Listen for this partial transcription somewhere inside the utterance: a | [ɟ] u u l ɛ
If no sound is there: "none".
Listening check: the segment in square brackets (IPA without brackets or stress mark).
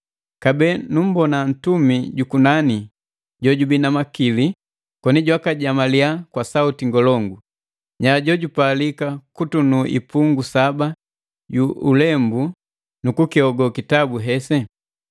ɟ